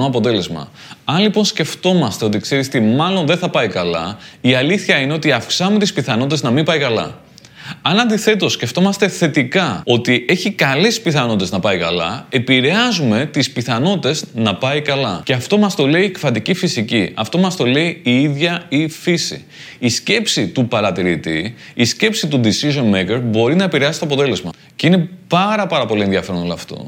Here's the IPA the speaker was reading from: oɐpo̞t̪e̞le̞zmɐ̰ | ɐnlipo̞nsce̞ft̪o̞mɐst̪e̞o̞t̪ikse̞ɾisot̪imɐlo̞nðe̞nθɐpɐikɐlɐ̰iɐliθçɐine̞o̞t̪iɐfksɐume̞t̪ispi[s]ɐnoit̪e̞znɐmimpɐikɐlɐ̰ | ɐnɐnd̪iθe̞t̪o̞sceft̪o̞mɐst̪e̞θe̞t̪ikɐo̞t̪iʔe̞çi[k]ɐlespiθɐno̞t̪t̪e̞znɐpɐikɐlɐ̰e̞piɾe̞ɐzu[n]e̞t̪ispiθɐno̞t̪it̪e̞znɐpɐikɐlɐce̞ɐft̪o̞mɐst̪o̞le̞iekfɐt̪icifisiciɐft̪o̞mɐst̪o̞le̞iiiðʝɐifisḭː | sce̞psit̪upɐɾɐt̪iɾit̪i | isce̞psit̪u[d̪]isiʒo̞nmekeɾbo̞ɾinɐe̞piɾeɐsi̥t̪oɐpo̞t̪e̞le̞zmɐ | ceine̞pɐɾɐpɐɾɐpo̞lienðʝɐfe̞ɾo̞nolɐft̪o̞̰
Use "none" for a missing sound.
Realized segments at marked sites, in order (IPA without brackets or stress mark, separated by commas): θ, k, m, d̪